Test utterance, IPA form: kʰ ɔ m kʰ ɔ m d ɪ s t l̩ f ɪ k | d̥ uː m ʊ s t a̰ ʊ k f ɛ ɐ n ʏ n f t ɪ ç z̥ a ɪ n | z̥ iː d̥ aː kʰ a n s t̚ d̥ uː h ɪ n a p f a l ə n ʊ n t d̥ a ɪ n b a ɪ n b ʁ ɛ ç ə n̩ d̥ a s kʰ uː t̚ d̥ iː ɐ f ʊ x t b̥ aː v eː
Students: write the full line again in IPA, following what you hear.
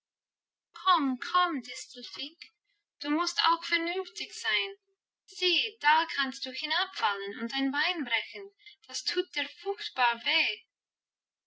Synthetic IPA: kʰ ɔ m kʰ ɔ m d ɪ s t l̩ f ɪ k | d̥ uː m ʊ s t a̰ ʊ x f ɛ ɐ n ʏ n f t ɪ ç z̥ a ɪ n | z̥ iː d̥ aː kʰ a n s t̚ d̥ uː h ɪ n a p f a l ə n ʊ n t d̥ a ɪ n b a ɪ n b ʁ ɛ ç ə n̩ d̥ a s tʰ uː t̚ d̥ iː ɐ f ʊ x t b̥ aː v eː

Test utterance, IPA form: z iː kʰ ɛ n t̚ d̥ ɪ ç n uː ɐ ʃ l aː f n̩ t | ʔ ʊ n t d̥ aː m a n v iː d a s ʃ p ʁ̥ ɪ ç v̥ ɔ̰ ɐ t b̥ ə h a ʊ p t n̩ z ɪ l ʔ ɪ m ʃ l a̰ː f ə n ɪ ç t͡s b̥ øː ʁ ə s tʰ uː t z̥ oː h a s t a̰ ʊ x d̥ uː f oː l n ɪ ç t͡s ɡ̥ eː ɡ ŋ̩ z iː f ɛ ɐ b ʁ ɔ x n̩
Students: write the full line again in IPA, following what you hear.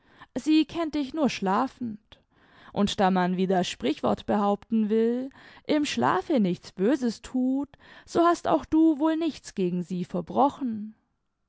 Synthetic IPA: z iː kʰ ɛ n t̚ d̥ ɪ ç n uː ɐ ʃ l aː f n̩ t | ʔ ʊ n t d̥ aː m a n v iː d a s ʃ p ʁ̥ ɪ ç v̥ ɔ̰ ɐ t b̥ ə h a ʊ p t n̩ v ɪ l ʔ ɪ m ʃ l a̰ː f ə n ɪ ç t͡s b̥ øː z ə s tʰ uː t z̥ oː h a s t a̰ ʊ x d̥ uː v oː l n ɪ ç t͡s ɡ̥ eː ɡ ŋ̩ z iː f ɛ ɐ b ʁ ɔ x n̩

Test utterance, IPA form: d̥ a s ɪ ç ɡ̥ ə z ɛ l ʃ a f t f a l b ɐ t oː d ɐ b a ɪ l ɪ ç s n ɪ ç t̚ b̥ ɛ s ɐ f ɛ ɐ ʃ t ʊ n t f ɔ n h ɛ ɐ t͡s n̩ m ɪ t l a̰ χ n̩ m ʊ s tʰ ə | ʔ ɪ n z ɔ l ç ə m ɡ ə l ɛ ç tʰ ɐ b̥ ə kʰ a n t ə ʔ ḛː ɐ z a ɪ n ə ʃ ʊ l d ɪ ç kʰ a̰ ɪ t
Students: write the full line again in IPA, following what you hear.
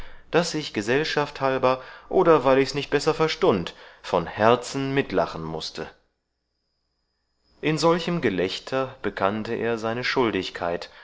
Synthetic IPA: d̥ a s ɪ ç ɡ̥ ə z ɛ l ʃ a f t h a l b ɐ ʔ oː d ɐ v a ɪ l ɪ ç s n ɪ ç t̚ b̥ ɛ s ɐ f ɛ ɐ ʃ t ʊ n t f ɔ n h ɛ ɐ t͡s n̩ m ɪ t l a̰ χ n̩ m ʊ s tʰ ə | ʔ ɪ n z ɔ l ç ə m ɡ ə l ɛ ç tʰ ɐ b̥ ə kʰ a n t ə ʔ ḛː ɐ z a ɪ n ə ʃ ʊ l d ɪ ç kʰ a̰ ɪ t

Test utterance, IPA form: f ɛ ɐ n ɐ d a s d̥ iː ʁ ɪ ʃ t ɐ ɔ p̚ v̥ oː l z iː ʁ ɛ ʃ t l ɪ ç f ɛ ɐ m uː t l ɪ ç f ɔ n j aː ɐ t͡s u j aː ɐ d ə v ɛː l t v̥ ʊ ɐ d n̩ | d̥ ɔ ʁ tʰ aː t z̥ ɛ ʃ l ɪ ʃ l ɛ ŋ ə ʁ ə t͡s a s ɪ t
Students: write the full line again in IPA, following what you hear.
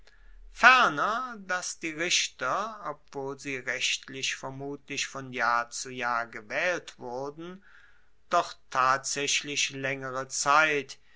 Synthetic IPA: f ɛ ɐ n ɐ d a s d̥ iː ʁ ɪ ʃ t ɐ ɔ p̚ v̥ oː l z iː ʁ ɛ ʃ t l ɪ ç f ɛ ɐ m uː t l ɪ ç f ɔ n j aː ɐ t͡s u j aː ɐ ɡ ə v ɛː l t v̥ ʊ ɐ d n̩ | d̥ ɔ χ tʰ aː t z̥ ɛ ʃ l ɪ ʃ l ɛ ŋ ə ʁ ə t͡s a ɪ t

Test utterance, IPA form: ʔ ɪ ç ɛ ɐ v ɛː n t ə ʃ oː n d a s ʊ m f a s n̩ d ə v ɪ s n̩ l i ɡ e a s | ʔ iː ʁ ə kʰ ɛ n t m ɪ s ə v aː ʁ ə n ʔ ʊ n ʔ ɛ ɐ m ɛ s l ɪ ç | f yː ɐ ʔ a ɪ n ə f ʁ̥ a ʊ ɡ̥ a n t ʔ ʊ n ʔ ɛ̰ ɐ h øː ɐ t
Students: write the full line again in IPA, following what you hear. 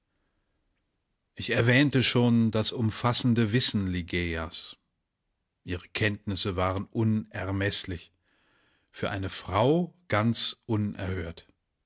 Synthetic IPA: ʔ ɪ ç ɛ ɐ v ɛː n t ə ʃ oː n d a s ʊ m f a s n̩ d ə v ɪ s n̩ l i ɡ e a s | ʔ iː ʁ ə kʰ ɛ n t n ɪ s ə v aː ʁ ə n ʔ ʊ n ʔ ɛ ɐ m ɛ s l ɪ ç | f yː ɐ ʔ a ɪ n ə f ʁ̥ a ʊ ɡ̥ a n t͡s ʔ ʊ n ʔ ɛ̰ ɐ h øː ɐ t

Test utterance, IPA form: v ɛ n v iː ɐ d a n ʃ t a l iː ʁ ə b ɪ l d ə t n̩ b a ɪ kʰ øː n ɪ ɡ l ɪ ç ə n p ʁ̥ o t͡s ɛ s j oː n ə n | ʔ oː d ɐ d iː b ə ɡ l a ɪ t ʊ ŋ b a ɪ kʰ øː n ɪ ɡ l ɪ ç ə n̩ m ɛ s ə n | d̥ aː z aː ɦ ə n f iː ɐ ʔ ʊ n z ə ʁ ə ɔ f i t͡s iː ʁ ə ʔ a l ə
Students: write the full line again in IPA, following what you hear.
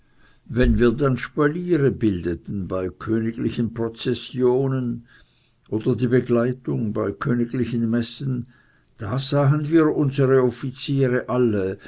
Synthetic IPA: v ɛ n v iː ɐ d a n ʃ p a l iː ʁ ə b ɪ l d ə t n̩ b a ɪ kʰ øː n ɪ ɡ l ɪ ç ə n p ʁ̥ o t͡s ɛ s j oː n ə n | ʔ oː d ɐ d iː b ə ɡ l a ɪ t ʊ ŋ b a ɪ kʰ øː n ɪ ɡ l ɪ ç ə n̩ m ɛ s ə n | d̥ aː z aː ɦ ə n v iː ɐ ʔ ʊ n z ə ʁ ə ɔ f i t͡s iː ʁ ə ʔ a l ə

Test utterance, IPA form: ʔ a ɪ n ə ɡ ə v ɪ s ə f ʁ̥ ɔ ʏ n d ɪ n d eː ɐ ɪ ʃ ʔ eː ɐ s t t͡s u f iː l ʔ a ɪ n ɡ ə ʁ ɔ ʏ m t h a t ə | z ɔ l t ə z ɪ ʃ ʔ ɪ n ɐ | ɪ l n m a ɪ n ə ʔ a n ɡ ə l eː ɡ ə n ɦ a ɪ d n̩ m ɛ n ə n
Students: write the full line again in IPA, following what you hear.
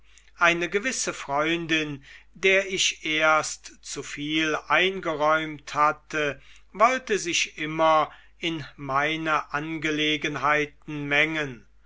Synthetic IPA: ʔ a ɪ n ə ɡ ə v ɪ s ə f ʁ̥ ɔ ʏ n d ɪ n d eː ɐ ɪ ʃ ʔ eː ɐ s t t͡s u f iː l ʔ a ɪ n ɡ ə ʁ ɔ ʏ m t h a t ə | v ɔ l t ə z ɪ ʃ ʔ ɪ m ɐ | ɪ n m a ɪ n ə ʔ a n ɡ ə l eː ɡ ə n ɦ a ɪ t n̩ m ɛ ŋ ə n

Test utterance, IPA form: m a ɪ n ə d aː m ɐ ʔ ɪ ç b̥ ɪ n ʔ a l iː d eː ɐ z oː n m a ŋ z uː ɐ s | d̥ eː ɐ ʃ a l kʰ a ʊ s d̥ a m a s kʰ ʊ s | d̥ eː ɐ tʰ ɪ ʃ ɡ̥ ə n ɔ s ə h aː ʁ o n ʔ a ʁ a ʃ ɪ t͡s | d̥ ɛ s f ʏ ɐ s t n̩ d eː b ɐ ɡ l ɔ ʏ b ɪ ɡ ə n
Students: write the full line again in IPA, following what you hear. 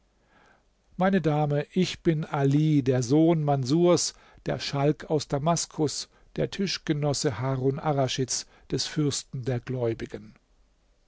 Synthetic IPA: m a ɪ n ə d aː m ə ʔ ɪ ç b̥ ɪ n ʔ a l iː d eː ɐ z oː n m a n z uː ɐ s | d̥ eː ɐ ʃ a l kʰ a ʊ s d̥ a m a s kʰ ʊ s | d̥ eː ɐ tʰ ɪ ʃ ɡ̥ ə n ɔ s ə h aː ʁ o n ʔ a ʁ a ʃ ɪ t͡s | d̥ ɛ s f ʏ ɐ s t n̩ d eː ɐ ɡ l ɔ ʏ b ɪ ɡ ə n

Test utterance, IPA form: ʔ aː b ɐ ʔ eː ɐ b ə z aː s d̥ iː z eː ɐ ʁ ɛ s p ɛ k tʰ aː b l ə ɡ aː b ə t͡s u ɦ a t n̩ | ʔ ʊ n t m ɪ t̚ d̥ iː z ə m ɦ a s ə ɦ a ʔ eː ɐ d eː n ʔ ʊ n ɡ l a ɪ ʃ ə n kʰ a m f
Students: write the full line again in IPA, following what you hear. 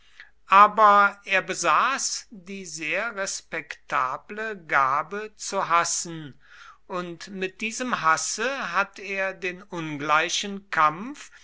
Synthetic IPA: ʔ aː b ɐ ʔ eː ɐ b ə z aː s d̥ iː z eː ɐ ʁ ɛ s p ɛ k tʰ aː b l ə ɡ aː b ə t͡s u ɦ a s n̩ | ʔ ʊ n t m ɪ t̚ d̥ iː z ə m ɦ a s ə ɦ a t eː ɐ d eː n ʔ ʊ n ɡ l a ɪ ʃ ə n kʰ a m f

